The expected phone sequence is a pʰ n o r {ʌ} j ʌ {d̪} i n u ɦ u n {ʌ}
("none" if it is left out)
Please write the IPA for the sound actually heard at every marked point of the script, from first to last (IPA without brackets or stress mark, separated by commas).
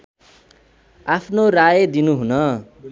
a, d̪, ʌ